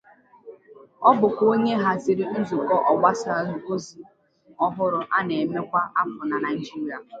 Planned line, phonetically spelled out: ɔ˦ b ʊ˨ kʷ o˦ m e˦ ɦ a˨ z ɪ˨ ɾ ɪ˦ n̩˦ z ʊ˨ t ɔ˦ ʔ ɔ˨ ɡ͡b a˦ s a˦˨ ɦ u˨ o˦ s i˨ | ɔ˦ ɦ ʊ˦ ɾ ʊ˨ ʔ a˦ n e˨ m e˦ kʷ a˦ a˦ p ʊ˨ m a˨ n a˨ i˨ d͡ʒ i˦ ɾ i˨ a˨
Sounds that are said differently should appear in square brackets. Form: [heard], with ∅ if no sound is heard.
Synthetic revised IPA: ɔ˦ b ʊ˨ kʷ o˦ [ɲ] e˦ ɦ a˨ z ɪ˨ ɾ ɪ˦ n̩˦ z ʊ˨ [k] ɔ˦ ʔ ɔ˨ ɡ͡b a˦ s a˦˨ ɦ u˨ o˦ [z] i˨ | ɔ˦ ɦ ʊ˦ ɾ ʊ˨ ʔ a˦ n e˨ m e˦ kʷ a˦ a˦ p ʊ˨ [n] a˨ n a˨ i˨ d͡ʒ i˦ ɾ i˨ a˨